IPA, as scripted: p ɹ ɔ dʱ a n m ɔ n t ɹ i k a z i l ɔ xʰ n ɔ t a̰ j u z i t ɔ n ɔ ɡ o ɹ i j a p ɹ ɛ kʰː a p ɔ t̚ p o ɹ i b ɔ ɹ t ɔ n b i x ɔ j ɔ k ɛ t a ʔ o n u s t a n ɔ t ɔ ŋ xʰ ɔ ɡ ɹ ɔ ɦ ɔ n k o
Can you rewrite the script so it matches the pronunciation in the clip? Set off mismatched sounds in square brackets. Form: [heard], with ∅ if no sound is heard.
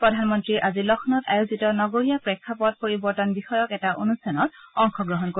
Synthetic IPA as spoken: p ɹ ɔ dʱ a n m ɔ n t ɹ i [ʔ] a z i l ɔ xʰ n ɔ t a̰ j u z i t ɔ n ɔ ɡ o ɹ i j a p ɹ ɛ kʰː a p ɔ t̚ p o ɹ i b ɔ ɹ t ɔ n b i x ɔ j ɔ k ɛ t a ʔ o n u s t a n ɔ t ɔ ŋ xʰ ɔ ɡ ɹ ɔ ɦ ɔ n k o